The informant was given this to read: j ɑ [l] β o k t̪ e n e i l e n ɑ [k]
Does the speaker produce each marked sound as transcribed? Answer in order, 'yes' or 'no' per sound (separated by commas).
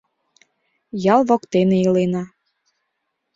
yes, no